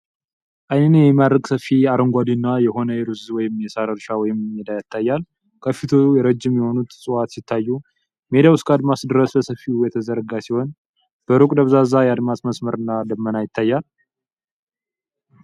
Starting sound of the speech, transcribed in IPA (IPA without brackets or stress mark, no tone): ʔ